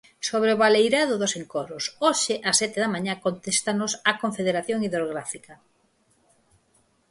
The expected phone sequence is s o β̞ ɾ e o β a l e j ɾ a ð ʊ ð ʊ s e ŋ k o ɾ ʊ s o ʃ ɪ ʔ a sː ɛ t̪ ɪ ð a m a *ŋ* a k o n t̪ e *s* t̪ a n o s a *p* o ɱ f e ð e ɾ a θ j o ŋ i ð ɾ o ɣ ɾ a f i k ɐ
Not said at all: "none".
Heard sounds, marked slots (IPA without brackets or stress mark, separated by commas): ɲ, s, k